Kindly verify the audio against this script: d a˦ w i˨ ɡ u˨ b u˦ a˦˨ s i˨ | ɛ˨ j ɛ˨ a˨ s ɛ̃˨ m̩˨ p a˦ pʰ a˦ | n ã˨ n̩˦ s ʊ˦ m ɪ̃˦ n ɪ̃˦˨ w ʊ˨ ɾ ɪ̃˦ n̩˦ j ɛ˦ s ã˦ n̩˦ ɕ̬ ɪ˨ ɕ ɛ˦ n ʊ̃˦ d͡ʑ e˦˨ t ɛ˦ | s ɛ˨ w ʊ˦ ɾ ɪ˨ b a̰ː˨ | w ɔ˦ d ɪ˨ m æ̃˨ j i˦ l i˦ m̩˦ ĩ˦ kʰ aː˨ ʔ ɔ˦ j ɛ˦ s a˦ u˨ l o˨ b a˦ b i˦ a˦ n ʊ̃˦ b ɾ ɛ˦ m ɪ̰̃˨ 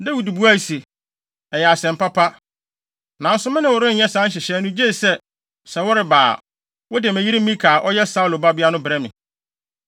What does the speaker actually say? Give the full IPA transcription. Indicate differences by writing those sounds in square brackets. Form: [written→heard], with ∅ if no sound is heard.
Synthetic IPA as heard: d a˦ w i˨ [ɡ→d] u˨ b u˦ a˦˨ s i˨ | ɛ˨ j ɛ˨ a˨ s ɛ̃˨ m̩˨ p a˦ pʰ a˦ | n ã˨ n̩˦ s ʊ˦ m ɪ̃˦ n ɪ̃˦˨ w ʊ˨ ɾ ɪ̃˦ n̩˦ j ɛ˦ s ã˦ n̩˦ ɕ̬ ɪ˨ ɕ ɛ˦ n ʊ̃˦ d͡ʑ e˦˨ [t→s] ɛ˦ | s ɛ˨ w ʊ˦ ɾ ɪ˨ b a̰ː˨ | w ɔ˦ d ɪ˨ m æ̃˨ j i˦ [l→ɾ] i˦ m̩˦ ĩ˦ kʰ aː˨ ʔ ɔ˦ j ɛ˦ s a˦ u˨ l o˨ b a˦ b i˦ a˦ n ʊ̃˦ b ɾ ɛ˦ m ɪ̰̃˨

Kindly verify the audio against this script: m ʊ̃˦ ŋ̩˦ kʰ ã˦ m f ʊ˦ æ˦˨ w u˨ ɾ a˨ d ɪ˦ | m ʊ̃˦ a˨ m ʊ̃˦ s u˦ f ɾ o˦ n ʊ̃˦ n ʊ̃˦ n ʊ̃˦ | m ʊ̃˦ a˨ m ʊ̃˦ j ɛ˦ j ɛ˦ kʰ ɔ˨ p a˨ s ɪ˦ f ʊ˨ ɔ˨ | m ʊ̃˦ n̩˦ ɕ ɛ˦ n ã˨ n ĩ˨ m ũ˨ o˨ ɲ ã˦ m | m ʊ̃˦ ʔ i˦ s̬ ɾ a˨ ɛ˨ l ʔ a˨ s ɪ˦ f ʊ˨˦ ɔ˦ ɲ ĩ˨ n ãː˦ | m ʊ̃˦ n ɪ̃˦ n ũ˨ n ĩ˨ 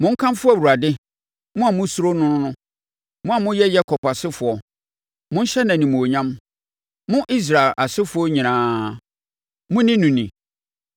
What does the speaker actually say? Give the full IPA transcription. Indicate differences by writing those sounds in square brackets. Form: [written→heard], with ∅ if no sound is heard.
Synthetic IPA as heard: m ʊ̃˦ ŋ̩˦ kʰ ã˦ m f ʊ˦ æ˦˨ w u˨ ɾ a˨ d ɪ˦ | m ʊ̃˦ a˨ m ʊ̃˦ s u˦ [f→∅] ɾ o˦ n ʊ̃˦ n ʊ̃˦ n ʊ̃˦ | m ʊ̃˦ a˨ m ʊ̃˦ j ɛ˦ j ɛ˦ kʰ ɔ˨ p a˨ s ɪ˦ f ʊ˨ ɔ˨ | m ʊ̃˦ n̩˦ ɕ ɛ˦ n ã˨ n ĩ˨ m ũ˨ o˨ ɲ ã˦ m | m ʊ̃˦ ʔ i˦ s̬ ɾ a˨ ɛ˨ l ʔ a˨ s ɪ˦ f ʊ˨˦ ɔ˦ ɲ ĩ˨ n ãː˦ | m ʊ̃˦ n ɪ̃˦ n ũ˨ n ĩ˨

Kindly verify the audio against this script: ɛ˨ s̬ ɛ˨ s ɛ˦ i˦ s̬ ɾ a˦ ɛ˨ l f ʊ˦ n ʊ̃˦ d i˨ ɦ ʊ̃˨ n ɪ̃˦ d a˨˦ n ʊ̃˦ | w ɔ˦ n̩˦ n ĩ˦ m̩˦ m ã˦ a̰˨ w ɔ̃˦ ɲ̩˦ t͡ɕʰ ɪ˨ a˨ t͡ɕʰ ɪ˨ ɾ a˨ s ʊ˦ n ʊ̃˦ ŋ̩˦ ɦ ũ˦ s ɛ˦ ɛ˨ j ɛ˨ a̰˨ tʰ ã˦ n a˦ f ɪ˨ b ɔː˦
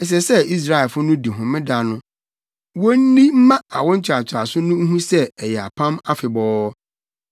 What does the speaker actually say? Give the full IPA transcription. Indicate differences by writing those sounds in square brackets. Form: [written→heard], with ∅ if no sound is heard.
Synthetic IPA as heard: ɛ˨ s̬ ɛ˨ s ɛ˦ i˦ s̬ ɾ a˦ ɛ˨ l f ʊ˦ n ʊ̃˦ d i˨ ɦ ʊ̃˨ [n→m] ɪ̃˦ d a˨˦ n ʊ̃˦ | w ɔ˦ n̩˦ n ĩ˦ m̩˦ m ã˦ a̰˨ w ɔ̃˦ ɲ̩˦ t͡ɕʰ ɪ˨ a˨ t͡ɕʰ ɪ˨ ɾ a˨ s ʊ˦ n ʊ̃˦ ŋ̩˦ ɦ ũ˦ s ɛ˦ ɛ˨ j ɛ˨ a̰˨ [tʰ→pʰ] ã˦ [n→m] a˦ f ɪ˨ b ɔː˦

